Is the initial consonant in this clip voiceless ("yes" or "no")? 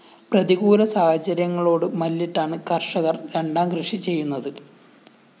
yes